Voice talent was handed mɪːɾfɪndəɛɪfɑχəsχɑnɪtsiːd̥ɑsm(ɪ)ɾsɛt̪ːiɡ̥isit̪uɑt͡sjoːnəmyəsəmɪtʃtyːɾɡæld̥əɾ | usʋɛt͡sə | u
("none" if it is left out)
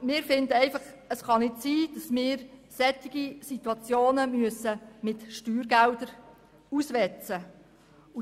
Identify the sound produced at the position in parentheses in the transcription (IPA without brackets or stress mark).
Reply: ɪː